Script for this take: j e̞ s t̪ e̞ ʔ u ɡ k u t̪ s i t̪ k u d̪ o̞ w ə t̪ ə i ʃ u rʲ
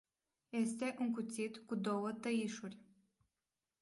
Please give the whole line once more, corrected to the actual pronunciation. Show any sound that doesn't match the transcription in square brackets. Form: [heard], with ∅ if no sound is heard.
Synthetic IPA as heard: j e̞ s t̪ e̞ ʔ u [ŋ] k u t̪ s i t̪ k u d̪ o̞ w ə t̪ ə i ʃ u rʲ